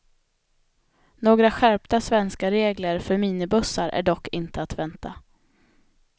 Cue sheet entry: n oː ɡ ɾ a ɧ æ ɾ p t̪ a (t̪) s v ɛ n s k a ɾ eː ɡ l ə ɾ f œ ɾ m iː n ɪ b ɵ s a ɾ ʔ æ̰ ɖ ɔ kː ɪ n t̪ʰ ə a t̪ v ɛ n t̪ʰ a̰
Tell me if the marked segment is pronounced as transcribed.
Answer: no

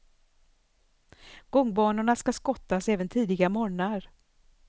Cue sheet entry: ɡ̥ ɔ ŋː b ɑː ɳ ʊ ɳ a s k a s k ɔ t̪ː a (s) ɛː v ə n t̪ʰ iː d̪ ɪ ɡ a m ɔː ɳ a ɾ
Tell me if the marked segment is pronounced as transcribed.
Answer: yes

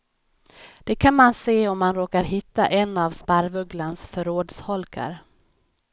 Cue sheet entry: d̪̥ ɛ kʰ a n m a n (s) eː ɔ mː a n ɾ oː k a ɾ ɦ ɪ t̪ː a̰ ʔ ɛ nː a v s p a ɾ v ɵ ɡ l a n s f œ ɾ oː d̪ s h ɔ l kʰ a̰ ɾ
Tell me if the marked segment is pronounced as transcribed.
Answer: yes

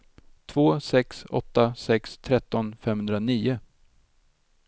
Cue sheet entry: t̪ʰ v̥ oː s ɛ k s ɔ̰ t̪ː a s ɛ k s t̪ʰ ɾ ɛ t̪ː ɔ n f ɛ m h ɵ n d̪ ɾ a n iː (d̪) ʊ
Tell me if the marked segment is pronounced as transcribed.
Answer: no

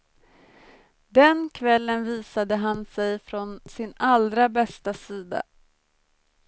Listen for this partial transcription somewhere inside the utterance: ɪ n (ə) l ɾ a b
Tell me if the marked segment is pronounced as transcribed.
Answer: no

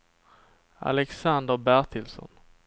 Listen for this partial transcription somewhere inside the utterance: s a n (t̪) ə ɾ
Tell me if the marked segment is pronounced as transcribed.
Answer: no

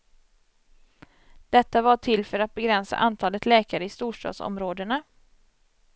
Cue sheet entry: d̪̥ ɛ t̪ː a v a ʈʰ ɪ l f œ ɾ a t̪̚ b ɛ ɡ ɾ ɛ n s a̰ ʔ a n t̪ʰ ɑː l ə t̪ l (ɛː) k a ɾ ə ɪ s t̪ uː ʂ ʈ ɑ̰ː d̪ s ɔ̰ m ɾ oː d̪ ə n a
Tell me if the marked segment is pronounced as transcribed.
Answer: yes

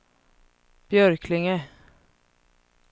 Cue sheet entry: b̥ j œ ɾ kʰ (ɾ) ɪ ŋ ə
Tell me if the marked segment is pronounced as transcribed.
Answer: no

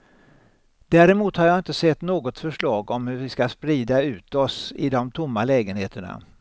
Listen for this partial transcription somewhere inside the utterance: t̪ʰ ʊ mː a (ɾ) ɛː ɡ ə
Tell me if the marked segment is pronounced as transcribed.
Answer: no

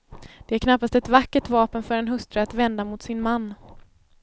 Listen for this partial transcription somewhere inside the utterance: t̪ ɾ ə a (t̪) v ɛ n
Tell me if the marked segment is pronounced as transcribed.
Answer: yes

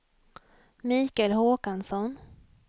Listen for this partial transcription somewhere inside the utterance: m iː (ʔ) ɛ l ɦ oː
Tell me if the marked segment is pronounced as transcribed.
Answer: no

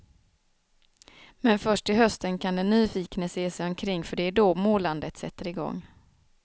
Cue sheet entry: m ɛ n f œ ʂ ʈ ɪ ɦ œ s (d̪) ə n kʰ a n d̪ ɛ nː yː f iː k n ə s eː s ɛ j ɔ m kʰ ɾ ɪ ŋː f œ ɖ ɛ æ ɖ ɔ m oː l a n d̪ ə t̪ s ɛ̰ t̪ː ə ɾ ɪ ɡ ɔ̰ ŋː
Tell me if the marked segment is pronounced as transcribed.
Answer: no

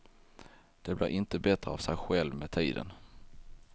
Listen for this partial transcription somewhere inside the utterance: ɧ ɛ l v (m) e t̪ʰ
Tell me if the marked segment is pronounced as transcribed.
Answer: yes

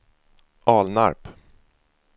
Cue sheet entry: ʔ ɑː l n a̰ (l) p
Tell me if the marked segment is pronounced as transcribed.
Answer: no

